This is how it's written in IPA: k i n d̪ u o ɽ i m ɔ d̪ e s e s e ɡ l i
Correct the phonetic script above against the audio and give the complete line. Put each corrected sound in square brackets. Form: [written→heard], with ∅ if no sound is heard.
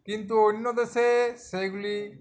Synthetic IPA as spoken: k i n [d̪→t̪] u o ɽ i [m→n] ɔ d̪ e s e s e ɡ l i